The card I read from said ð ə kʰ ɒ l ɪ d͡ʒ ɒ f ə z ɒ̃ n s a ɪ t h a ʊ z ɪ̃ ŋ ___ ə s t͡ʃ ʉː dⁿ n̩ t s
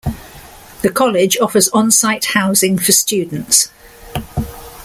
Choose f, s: f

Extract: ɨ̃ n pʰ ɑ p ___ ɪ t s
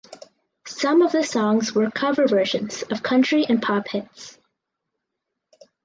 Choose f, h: h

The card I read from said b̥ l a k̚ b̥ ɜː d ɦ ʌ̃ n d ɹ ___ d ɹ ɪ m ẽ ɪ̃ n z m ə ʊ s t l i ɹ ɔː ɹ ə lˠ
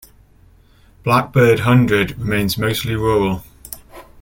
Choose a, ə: ə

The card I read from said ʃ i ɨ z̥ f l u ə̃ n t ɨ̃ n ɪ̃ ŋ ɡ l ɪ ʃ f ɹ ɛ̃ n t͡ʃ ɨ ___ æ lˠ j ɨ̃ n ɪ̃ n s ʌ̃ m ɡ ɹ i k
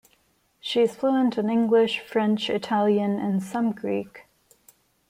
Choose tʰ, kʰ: tʰ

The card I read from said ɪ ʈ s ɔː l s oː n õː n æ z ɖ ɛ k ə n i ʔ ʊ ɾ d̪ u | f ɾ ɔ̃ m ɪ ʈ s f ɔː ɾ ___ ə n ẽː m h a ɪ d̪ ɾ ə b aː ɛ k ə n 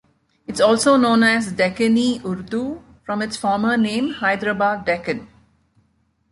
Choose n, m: m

